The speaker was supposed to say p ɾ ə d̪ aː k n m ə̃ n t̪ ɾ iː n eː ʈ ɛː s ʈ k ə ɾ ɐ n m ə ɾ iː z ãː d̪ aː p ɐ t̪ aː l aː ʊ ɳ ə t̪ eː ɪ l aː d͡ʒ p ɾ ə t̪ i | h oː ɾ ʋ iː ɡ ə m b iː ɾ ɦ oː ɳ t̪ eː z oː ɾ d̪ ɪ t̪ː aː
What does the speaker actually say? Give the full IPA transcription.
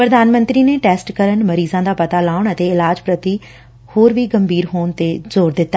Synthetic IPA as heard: p ɾ ə d̪ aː n m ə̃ n t̪ ɾ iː n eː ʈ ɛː s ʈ k ə ɾ ə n m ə ɾ iː z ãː d̪ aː p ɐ t̪ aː l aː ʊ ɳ ə t̪ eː ɪ l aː d͡ʒ p ɾ ə t̪ i | h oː ɾ ʋ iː ɡ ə m b iː ɾ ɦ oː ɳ t̪ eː z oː ɾ d̪ ɪ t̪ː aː